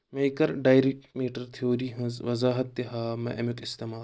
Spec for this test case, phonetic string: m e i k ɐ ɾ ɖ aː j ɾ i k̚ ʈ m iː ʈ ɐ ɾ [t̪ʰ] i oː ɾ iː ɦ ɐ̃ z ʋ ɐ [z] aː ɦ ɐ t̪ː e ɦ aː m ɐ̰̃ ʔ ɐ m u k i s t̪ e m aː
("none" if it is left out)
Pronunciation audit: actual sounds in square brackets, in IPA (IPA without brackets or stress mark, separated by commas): t̪ʰ, z